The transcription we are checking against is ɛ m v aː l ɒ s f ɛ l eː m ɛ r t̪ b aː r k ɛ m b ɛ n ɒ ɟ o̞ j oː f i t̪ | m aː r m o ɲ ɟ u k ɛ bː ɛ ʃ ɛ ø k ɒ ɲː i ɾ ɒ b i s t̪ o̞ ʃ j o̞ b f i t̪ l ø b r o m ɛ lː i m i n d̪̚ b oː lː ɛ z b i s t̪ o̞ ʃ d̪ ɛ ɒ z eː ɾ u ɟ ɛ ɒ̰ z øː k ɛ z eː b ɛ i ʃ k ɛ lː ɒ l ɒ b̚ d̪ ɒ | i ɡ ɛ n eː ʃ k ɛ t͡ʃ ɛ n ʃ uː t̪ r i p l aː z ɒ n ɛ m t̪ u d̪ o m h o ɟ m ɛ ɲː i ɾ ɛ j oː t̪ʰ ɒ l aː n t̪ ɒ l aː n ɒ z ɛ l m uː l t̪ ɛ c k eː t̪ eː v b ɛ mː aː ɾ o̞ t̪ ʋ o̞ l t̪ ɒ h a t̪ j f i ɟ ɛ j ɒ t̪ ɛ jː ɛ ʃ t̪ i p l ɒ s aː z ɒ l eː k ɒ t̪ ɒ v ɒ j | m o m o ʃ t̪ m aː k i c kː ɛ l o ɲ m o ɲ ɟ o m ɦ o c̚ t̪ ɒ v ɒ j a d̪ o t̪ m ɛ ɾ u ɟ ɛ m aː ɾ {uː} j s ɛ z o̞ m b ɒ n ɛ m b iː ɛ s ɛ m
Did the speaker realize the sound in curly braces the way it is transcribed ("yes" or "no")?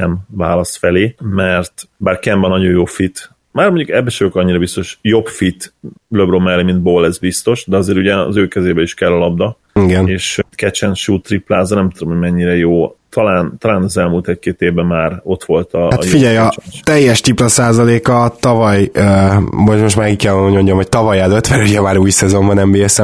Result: yes